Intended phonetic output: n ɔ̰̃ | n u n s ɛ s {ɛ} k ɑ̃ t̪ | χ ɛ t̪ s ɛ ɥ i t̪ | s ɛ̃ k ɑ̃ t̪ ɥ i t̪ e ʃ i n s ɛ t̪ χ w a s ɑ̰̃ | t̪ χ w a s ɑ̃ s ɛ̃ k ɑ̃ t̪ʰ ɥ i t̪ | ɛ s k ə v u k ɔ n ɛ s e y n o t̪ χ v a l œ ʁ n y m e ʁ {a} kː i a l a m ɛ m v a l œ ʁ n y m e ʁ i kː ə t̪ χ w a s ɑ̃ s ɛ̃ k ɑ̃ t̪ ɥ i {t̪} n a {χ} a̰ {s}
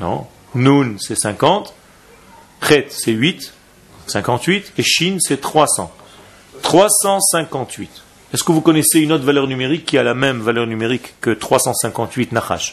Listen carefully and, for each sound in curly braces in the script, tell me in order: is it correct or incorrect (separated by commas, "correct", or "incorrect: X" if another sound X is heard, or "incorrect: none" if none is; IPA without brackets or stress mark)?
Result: incorrect: ɛ̃, incorrect: i, correct, correct, incorrect: ʃ